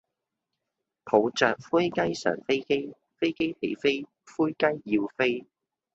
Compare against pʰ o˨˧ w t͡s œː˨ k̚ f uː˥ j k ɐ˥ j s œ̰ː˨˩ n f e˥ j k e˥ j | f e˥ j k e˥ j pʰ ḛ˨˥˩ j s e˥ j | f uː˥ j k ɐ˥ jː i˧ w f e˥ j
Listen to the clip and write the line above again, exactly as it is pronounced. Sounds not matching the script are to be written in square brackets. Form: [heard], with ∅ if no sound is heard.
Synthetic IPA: pʰ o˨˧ w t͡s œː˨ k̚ f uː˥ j k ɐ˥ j s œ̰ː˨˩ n f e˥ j k e˥ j | f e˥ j k e˥ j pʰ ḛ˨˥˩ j [f] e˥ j | f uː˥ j k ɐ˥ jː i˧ w f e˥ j